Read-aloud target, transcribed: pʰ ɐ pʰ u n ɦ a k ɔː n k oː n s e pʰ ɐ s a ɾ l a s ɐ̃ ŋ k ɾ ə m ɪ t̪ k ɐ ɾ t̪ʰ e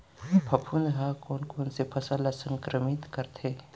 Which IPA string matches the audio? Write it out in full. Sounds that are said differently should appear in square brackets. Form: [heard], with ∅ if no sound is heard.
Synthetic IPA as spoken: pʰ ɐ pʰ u n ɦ a k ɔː n k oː n s e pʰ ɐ s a [∅] l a s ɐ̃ ŋ k ɾ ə m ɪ t̪ k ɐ ɾ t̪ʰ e